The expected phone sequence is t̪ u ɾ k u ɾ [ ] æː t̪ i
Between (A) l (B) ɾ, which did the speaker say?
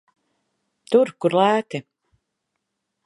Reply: A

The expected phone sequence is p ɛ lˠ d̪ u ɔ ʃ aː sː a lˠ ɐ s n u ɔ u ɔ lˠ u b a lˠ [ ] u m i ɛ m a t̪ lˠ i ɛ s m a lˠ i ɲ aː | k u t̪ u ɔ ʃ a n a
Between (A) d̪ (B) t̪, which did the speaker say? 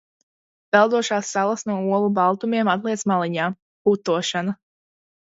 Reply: B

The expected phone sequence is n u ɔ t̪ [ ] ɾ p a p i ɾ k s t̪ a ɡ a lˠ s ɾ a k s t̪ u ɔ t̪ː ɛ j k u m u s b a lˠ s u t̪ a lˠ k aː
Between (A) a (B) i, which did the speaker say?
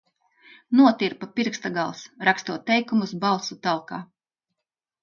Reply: B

